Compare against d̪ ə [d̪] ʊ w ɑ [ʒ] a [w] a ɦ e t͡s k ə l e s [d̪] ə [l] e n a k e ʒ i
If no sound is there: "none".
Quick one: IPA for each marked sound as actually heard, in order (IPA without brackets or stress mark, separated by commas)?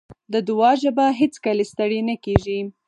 d̪, ʒ, b, t̪, ɽ